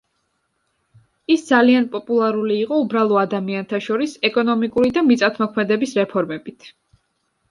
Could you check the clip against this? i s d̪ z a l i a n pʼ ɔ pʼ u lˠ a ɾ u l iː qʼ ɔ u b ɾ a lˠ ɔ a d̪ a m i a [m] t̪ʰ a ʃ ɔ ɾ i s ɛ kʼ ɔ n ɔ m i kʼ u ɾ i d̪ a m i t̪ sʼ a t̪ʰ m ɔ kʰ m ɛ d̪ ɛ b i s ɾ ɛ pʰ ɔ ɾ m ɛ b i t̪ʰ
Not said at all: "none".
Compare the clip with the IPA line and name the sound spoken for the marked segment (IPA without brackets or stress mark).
n